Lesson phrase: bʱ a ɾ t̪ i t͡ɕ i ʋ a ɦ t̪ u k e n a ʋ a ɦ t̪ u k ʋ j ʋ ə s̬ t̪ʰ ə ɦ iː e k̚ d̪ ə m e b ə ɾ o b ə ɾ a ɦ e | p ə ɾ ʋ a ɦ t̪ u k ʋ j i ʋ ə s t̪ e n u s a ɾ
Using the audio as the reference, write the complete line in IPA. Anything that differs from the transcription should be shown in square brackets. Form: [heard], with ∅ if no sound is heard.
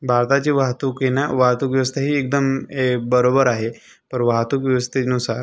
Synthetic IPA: bʱ a ɾ t̪ [a] t͡ɕ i ʋ a ɦ t̪ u k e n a ʋ a ɦ t̪ u k ʋ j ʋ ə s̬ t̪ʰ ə ɦ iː e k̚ d̪ ə m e b ə ɾ o b ə ɾ a ɦ e | p ə ɾ ʋ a ɦ t̪ u k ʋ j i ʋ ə s t̪ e n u s a ɾ